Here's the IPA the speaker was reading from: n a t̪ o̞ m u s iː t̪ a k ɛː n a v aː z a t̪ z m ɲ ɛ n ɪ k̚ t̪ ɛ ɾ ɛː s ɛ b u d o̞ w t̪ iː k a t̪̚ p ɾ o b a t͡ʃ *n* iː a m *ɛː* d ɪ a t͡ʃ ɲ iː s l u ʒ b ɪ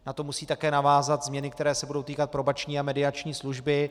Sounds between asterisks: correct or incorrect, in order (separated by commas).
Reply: incorrect, incorrect